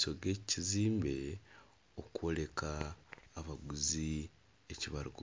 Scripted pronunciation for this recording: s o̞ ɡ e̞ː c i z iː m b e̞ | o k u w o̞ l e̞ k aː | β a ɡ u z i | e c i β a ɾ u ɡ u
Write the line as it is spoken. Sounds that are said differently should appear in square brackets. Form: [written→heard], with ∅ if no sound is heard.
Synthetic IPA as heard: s o̞ ɡ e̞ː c i z iː m b e̞ | o k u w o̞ l e̞ k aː | β a ɡ u z i | e c i β a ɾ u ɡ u